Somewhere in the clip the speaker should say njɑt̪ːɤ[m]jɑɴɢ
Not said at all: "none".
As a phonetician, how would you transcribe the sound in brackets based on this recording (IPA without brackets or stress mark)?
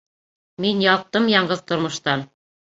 m